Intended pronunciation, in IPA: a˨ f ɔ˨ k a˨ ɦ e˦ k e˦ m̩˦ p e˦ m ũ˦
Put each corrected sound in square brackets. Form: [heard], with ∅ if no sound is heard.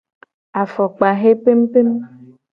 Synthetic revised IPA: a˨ f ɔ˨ [k͡p] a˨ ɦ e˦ [p] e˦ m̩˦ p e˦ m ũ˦